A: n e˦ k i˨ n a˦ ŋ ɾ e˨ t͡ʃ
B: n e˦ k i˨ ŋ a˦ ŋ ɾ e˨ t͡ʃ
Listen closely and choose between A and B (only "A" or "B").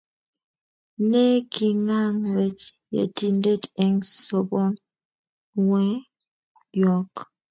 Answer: B